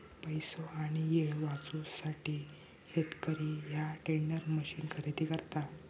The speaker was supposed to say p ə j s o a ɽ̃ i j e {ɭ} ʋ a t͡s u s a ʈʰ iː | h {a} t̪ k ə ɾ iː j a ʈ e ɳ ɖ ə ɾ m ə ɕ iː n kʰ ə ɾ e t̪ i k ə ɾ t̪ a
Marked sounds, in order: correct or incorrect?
correct, incorrect: e

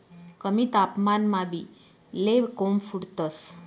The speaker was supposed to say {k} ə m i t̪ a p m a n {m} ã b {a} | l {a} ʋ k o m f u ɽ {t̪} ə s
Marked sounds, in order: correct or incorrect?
correct, correct, incorrect: i, incorrect: e, correct

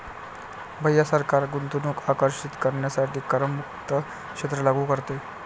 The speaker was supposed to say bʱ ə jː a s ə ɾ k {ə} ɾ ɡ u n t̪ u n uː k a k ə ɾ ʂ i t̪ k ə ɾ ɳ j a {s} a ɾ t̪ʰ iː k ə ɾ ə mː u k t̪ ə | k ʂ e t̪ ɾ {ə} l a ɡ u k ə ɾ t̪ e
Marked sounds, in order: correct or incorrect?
incorrect: a, correct, correct

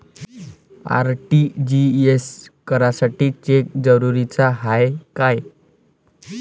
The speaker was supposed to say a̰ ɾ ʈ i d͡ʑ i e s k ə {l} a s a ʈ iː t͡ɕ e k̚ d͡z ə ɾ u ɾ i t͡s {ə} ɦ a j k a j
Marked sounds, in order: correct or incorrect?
incorrect: ɾ, incorrect: a

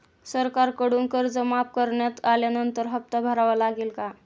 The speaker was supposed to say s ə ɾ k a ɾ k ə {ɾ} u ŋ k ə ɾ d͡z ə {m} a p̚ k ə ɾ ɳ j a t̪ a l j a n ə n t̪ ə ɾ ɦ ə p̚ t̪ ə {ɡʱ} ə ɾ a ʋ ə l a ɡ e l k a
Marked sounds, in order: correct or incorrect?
incorrect: ɽ, correct, incorrect: bʱ

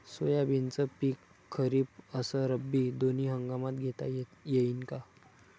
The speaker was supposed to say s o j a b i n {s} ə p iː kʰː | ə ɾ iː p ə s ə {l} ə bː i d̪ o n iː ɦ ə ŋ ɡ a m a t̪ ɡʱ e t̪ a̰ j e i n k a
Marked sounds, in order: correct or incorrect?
incorrect: t͡s, incorrect: ɾ

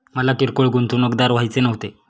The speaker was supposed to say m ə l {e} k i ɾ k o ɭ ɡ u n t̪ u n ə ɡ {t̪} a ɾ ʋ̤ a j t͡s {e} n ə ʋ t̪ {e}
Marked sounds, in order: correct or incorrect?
incorrect: a, incorrect: d̪, correct, correct

